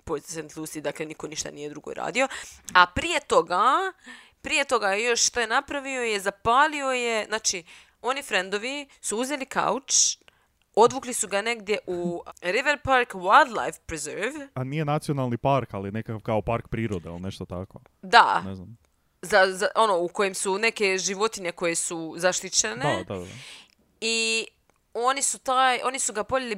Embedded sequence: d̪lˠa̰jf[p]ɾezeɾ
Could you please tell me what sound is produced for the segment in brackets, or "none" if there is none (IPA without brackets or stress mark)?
p